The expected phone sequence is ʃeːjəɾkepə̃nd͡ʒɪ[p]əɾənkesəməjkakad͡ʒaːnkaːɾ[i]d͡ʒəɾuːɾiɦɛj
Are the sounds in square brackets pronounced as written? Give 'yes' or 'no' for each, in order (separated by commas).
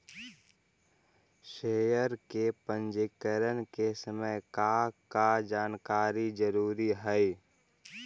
no, yes